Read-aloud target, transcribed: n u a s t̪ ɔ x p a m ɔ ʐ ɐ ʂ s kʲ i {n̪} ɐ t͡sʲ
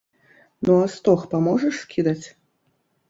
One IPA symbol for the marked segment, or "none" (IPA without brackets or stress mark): d̪